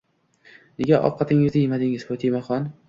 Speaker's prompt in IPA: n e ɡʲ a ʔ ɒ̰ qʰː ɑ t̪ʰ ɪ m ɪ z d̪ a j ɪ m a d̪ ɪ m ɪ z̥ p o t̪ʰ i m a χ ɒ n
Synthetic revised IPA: n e ɡʲ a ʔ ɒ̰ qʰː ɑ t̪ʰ ɪ ŋ ɪ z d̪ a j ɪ m a d̪ ɪ ŋ ɪ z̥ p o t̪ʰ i m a χ ɒ n